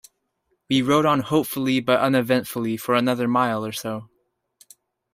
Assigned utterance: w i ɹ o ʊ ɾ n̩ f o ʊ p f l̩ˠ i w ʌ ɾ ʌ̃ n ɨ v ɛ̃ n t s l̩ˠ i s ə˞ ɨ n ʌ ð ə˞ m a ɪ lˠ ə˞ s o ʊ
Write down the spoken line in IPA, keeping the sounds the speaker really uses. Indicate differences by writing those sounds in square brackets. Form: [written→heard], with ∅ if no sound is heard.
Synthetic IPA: w i ɹ o ʊ ɾ n̩ [f→h] o ʊ p f l̩ˠ i [w→b] ʌ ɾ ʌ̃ n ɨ v ɛ̃ n t [s→f] l̩ˠ i [s→f] ə˞ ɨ n ʌ ð ə˞ m a ɪ lˠ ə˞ s o ʊ